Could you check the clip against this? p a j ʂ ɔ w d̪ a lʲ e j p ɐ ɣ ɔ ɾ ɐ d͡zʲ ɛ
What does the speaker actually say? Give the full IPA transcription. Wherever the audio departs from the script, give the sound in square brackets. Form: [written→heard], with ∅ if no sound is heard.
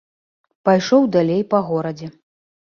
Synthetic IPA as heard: p a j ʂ ɔ w d̪ a lʲ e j p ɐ ɣ ɔ ɾ ɐ d͡zʲ ɛ